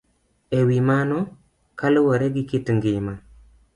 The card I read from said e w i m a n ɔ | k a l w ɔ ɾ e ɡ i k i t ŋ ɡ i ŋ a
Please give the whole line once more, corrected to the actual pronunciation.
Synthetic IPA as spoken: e w i m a n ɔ | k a l w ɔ ɾ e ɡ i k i t ŋ ɡ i m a